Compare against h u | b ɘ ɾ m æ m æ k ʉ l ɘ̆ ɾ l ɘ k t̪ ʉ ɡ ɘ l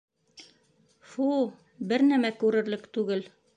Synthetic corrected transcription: f u | b ɘ ɾ n æ m æ k ʉ ɾ ɘ̆ ɾ l ɘ k t̪ ʉ ɡ ɘ l